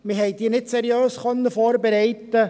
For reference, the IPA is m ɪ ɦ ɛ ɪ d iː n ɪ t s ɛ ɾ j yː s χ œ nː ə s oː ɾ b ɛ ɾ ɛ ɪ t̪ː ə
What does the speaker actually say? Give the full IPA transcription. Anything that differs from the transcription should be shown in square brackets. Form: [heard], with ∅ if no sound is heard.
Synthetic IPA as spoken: m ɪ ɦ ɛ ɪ d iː n ɪ t s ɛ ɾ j [øː] s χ œ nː ə [f] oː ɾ b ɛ ɾ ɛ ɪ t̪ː ə